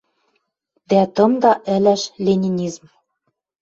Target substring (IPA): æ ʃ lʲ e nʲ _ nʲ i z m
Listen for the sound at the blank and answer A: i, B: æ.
A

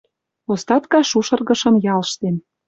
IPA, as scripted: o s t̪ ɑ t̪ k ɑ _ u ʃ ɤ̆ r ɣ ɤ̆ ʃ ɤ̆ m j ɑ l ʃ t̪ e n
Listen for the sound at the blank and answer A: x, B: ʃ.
B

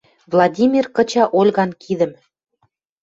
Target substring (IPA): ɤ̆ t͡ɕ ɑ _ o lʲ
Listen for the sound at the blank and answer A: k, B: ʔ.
B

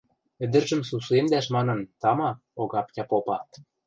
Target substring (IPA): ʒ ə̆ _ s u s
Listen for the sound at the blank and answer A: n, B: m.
B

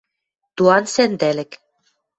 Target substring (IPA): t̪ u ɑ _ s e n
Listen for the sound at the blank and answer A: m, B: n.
B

